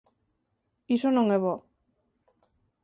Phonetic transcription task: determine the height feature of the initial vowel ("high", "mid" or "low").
high